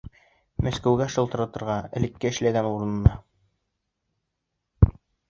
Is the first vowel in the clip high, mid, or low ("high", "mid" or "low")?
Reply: low